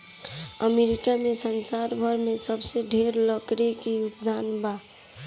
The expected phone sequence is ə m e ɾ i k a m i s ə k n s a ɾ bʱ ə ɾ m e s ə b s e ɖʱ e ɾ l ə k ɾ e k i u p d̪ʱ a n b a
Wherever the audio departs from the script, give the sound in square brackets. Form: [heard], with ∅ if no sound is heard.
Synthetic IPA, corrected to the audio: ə m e ɾ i k a m [e] s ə [∅] n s a ɾ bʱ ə ɾ m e s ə b s e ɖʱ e ɾ l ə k ɾ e k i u p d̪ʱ a n b a